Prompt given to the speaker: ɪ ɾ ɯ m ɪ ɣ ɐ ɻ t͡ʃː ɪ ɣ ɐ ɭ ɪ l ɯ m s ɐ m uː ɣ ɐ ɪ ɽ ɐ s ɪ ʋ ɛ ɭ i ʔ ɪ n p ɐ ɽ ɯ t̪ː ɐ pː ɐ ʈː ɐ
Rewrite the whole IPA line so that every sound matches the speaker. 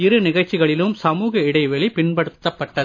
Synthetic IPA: ɪ ɾ ɯ n ɪ ɣ ɐ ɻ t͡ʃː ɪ ɣ ɐ ɭ ɪ l ɯ m s ɐ m uː ɣ ɐ ɪ ɽ ɐ ɪ ʋ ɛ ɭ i p ɪ n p ɐ ɽ ɯ t̪ː ɐ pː ɐ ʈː ɐ

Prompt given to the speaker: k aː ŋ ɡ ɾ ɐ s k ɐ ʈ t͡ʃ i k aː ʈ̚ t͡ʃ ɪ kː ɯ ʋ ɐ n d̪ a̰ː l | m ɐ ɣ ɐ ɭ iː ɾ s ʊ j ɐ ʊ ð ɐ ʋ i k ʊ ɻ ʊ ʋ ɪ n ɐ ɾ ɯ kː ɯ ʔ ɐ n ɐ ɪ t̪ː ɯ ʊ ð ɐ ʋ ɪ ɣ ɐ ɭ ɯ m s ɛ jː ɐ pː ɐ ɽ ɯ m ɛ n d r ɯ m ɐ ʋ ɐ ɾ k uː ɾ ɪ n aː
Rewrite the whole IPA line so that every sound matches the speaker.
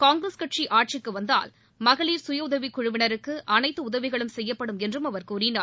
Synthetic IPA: k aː ŋ ɡ ɾ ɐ s k ɐ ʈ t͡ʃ i ʔ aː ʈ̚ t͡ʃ ɪ kː ɯ ʋ ɐ n d̪ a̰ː l | m ɐ ɣ ɐ ɭ iː ɾ s ʊ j ɐ ʊ ð ɐ ʋ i k ʊ ɻ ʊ ʋ ɪ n ɐ ɾ ɯ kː ɯ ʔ ɐ n ɐ ɪ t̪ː ɯ ʊ ð ɐ ʋ ɪ ɣ ɐ ɭ ɯ m s ɛ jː ɐ pː ɐ ɽ ɯ m ɛ n d r ɯ m ɐ ʋ ɐ ɾ k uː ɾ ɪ n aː

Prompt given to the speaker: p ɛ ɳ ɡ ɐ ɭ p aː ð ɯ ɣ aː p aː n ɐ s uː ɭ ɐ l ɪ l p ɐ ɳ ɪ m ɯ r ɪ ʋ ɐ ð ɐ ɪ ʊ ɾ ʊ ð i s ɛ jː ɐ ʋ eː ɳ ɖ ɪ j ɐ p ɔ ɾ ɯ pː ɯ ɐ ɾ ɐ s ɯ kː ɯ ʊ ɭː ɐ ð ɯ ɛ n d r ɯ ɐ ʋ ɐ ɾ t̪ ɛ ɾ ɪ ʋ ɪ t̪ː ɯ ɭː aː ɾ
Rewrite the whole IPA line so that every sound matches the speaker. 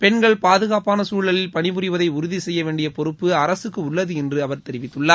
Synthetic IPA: p ɛ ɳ ɡ ɐ ɭ p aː ð ɯ ɣ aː p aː n ɐ s uː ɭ ɐ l ɪ l p ɐ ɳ ɪ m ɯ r ɪ ʋ ɐ ð ɐ ɪ ʊ ɾ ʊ ð i s ɛ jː ɐ ʋ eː ɳ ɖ ɪ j ɐ p ɔ ɾ ɯ pː ɯ ɐ ɾ ɐ s ɯ kː ɯ ʊ ɭː ɐ ð ɯ ɛ n d r ɯ ɐ ʋ ɐ ɾ t̪ ɛ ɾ ɪ ʋ ɪ t̪ː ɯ ɭː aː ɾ

